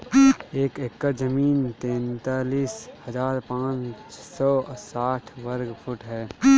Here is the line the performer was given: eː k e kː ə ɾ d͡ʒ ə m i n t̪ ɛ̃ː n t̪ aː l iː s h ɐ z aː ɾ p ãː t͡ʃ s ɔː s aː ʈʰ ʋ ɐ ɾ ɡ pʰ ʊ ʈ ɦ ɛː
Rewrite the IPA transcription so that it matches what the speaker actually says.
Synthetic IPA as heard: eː k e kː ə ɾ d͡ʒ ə m iː n t̪ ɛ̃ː n t̪ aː l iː s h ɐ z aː ɾ p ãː t͡ʃ s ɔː s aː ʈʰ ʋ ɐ ɾ ɡ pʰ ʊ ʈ ɦ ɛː